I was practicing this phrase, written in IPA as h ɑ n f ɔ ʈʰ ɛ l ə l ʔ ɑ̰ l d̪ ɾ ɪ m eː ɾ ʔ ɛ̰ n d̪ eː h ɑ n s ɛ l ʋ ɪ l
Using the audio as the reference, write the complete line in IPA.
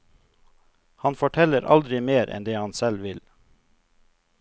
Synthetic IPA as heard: h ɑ n f ɔ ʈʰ ɛ l ə ɾ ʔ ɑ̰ l d̪ ɾ ɪ m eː ɾ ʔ ɛ̰ n d̪ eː h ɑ n s ɛ l ʋ ɪ l

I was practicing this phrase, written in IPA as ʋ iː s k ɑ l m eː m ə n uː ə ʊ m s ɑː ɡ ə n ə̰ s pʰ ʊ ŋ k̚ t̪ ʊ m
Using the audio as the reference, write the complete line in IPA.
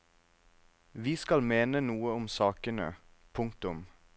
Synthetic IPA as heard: ʋ iː s k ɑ l m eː n ə n uː ə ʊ m s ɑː k ə n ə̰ pʰ ʊ ŋ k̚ t̪ ʊ m

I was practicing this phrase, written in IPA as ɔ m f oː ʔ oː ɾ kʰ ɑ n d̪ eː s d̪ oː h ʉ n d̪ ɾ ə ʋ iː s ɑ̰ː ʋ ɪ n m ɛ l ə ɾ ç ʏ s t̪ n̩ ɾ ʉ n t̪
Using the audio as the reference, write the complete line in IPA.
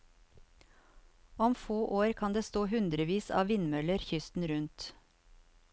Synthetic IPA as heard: ɔ m f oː ʔ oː ɾ kʰ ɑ n d̪ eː s t̪ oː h ʉ n d̪ ɾ ə ʋ iː s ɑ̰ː ʋ ɪ n m œ l ə ɾ ç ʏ s t̪ n̩ ɾ ʉ n t̪

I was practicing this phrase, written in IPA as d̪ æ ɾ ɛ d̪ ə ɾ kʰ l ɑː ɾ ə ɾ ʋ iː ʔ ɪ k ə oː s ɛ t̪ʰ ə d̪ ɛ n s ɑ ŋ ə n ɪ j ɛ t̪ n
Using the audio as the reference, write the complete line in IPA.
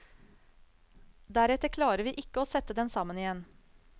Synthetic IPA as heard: d̪ æ ɾ ɛ t̪ ə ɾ kʰ l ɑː ɾ ə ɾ ʋ iː ʔ ɪ k ə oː s ɛ t̪ ə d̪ ɛ n s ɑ m ə n ɪ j ɛ n

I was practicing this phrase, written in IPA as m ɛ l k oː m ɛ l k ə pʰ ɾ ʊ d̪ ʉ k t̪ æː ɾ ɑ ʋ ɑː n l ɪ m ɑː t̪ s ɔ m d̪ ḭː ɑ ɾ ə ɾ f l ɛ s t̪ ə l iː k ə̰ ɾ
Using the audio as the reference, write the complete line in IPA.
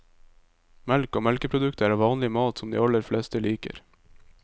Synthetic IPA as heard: m ɛ l k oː m ɛ l k ə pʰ ɾ ʊ d̪ ʉ k t̪ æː ɾ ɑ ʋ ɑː n l ɪ m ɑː t̪ s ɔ m d̪ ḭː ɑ l ə ɾ f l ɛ s t̪ ə l iː k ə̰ ɾ

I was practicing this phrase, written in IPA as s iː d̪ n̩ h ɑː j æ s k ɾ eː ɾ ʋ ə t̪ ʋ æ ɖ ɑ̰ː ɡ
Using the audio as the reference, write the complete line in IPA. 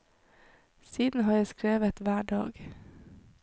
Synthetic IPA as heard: s iː d̪ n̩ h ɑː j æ s k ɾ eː ʋ ə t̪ ʋ æː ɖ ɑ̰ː ɡ

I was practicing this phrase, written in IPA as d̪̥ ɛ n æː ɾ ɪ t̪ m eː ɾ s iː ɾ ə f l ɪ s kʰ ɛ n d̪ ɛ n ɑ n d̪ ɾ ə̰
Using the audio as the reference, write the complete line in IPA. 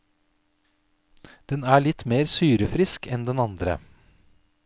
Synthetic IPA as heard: d̪̥ ɛ n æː ɭ ɪ t̪ m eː ɾ s yː ɾ ə f ɾ ɪ s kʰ ɛ n d̪ ɛ n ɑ n d̪ ɾ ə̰

